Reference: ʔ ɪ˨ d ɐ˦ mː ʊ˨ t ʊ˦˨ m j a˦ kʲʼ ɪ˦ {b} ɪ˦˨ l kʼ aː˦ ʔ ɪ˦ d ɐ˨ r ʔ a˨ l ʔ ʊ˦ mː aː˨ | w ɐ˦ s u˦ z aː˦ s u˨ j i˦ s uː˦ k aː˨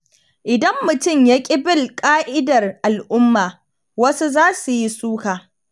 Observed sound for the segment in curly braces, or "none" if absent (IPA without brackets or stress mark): b